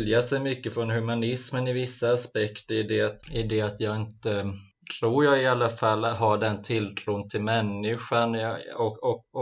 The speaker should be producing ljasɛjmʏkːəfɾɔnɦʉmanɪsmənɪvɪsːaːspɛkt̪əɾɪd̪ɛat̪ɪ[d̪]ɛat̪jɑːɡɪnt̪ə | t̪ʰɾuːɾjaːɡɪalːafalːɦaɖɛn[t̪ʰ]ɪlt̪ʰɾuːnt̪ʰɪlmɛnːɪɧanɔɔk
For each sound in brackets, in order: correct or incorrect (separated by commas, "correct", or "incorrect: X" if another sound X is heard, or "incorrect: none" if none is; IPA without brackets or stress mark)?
correct, correct